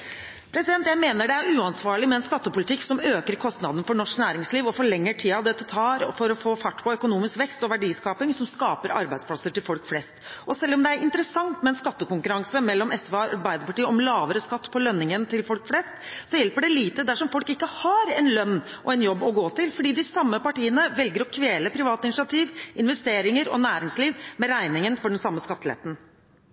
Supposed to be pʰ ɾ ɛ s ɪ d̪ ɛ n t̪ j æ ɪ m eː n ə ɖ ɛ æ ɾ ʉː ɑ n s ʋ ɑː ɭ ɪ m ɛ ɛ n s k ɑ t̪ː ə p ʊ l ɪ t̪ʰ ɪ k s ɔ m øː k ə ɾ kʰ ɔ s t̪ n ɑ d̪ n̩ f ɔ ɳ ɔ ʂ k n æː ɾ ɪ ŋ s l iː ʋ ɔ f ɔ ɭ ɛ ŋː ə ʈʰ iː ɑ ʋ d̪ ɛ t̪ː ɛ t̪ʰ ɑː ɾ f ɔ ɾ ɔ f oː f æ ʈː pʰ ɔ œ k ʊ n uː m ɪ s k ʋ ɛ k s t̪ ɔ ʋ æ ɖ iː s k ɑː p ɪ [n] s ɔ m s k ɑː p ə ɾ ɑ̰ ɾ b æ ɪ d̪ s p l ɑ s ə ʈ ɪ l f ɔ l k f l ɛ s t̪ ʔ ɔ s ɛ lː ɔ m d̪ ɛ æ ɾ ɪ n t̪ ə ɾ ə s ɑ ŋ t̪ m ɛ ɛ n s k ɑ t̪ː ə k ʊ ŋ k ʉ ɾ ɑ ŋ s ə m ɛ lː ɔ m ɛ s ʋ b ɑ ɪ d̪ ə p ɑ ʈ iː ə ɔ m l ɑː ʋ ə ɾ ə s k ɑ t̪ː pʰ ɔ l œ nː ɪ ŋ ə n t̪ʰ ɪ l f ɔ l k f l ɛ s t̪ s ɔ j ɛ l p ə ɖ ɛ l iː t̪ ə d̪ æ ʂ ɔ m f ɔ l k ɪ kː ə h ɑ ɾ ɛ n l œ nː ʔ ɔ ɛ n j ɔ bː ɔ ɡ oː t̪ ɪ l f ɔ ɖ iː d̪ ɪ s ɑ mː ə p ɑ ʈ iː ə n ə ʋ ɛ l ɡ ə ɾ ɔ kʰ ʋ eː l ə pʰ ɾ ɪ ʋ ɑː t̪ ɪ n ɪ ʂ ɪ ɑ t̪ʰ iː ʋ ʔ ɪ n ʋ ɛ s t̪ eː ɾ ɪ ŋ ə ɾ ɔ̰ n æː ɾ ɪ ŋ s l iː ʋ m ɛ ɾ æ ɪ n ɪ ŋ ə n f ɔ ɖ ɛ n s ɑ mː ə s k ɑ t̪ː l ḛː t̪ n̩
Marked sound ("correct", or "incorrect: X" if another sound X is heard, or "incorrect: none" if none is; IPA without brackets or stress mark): incorrect: ŋ